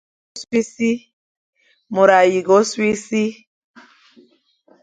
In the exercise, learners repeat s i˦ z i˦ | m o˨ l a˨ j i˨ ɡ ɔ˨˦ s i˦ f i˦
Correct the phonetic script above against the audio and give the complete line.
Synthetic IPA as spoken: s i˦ s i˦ | m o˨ ɾ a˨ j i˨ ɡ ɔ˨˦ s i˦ s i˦